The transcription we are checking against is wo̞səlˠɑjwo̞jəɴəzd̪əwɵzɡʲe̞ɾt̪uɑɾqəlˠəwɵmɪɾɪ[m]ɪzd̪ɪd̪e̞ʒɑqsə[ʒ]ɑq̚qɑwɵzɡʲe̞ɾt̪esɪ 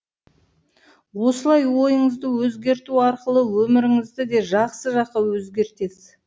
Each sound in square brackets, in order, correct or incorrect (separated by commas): incorrect, correct